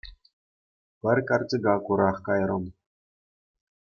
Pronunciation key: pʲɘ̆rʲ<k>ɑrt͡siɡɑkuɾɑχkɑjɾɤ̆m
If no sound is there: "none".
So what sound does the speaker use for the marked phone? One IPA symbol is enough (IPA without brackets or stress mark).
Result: k